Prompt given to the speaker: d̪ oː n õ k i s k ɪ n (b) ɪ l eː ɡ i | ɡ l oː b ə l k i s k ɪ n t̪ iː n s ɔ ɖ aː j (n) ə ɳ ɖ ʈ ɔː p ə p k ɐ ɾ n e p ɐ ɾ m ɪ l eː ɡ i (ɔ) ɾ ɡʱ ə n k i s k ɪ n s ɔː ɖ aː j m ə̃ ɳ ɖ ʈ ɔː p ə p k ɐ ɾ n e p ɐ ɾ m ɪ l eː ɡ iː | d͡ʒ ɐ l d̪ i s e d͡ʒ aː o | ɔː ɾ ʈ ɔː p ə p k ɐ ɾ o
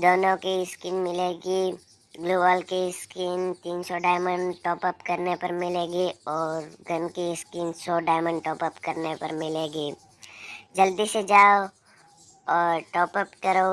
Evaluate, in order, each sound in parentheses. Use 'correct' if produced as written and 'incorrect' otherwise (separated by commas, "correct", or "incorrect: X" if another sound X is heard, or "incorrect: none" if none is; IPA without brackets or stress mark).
incorrect: m, incorrect: m, incorrect: ɔː